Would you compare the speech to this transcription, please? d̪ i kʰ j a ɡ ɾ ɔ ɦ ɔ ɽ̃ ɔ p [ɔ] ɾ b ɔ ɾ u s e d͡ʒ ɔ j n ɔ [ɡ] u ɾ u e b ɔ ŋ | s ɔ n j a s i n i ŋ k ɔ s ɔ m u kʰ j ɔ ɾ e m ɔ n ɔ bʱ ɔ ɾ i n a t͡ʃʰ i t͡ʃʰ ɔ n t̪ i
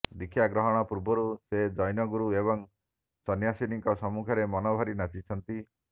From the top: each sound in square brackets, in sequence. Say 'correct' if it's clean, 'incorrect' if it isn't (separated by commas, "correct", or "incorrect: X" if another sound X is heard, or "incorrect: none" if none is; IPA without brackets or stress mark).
incorrect: u, correct